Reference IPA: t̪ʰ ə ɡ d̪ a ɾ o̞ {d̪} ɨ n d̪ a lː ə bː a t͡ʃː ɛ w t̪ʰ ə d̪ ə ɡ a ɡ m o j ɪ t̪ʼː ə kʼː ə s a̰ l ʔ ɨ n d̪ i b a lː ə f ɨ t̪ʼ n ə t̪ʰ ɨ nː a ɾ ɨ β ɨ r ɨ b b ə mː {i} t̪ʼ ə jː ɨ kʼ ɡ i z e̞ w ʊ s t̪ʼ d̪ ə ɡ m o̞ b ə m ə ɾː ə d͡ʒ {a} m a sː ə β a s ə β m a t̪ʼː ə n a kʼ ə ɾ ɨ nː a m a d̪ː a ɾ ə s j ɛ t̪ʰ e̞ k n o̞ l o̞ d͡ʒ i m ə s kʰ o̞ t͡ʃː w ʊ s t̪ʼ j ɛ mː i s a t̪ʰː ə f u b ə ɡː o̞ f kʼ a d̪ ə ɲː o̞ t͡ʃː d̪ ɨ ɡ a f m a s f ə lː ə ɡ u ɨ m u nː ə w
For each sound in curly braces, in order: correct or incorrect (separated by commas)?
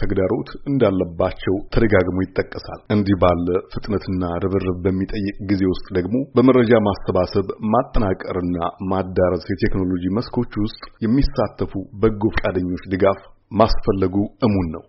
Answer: incorrect, correct, correct